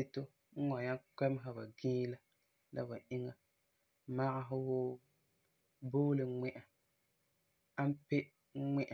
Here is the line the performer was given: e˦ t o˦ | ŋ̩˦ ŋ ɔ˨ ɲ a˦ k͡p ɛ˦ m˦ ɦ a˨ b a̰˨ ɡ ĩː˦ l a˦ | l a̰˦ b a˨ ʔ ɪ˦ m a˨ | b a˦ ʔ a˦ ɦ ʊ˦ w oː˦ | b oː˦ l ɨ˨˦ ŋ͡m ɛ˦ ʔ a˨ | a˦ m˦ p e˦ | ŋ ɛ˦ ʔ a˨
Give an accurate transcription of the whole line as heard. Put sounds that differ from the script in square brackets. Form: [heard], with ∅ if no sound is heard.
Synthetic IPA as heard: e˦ t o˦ | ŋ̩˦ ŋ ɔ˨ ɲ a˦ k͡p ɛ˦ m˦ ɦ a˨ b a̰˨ ɡ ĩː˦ l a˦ | l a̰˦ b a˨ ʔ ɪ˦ [ŋ] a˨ | [m] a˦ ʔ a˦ ɦ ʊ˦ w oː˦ | b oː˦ l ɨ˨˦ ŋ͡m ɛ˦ ʔ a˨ | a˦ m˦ p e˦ | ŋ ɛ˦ ʔ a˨